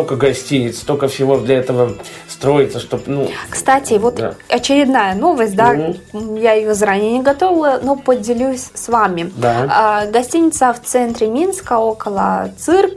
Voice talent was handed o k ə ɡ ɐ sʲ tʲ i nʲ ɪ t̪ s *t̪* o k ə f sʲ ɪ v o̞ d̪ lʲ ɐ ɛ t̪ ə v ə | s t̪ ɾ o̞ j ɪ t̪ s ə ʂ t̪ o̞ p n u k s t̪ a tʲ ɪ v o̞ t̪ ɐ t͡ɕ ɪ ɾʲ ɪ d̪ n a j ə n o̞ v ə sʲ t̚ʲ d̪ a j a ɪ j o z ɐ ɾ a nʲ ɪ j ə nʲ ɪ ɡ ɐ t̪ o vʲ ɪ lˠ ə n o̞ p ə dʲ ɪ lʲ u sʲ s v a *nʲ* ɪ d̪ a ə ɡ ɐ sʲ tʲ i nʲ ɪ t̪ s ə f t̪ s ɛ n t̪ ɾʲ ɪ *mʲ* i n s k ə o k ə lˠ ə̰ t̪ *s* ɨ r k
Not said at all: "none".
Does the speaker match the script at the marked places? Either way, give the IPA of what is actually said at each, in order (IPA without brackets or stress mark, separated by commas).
t̪, mʲ, mʲ, s